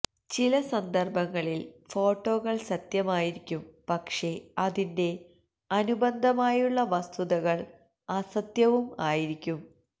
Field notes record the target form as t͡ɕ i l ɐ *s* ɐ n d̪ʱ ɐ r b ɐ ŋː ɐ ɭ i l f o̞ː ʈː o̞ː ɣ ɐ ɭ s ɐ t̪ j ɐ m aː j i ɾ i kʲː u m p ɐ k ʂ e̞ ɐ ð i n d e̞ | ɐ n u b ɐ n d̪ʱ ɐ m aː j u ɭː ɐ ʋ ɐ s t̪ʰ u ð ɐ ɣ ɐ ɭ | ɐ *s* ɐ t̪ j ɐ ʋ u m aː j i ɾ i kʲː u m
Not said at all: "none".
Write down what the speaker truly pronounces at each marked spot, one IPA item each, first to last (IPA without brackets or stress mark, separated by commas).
s, s